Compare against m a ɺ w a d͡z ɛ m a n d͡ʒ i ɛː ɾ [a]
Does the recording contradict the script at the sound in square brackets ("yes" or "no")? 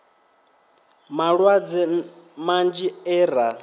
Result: no